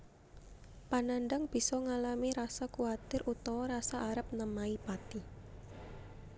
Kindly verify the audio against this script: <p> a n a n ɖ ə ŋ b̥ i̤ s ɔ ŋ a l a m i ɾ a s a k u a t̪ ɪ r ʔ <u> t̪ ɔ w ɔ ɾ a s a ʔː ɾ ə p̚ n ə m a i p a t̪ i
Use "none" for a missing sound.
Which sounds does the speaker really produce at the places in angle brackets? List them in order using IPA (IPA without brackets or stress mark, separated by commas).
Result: p, u